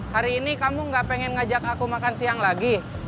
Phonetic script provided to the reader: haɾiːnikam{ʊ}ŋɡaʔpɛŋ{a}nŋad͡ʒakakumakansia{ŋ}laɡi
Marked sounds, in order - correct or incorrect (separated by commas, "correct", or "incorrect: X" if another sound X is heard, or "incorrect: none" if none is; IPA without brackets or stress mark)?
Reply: incorrect: u, incorrect: ɛ, correct